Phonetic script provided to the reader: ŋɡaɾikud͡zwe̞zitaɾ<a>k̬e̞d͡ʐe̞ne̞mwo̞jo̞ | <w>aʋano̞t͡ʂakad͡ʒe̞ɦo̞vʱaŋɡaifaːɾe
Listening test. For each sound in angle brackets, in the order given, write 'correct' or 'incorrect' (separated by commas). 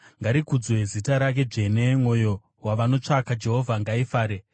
correct, correct